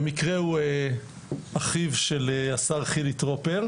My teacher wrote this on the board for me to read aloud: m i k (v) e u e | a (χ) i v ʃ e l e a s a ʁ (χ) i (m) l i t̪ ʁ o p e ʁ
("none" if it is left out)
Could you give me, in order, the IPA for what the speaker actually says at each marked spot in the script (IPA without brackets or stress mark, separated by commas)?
ʁ, χ, χ, none